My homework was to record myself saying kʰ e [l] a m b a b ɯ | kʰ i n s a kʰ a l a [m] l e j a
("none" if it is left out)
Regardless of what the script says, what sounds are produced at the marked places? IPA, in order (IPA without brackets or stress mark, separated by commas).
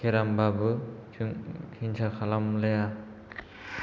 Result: ɾ, m